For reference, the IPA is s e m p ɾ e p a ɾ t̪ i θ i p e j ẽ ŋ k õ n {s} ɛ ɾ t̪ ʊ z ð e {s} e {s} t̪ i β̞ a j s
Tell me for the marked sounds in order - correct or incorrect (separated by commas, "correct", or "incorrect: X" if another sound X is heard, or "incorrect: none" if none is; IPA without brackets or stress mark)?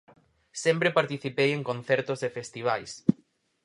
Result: incorrect: θ, incorrect: f, correct